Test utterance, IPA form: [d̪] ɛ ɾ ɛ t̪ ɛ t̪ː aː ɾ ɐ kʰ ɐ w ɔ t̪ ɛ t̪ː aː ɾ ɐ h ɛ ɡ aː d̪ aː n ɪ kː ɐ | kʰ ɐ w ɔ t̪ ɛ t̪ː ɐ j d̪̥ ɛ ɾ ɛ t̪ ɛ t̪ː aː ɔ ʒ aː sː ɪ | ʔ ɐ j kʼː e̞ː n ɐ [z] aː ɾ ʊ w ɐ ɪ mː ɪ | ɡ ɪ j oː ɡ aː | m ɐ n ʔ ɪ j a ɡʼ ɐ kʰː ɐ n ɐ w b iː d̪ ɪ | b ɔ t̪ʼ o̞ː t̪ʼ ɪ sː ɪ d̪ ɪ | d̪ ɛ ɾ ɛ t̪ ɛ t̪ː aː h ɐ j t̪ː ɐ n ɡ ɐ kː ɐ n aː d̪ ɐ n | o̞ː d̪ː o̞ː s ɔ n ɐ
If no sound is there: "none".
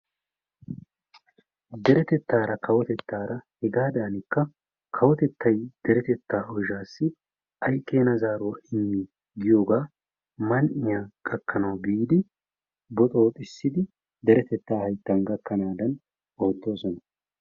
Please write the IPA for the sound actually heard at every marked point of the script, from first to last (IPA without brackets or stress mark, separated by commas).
d̪, z